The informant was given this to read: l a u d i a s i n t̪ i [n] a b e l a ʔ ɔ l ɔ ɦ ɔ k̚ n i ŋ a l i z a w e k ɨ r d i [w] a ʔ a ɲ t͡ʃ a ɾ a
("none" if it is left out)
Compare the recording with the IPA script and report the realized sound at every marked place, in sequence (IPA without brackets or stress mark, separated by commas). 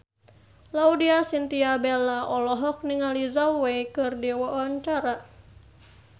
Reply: none, w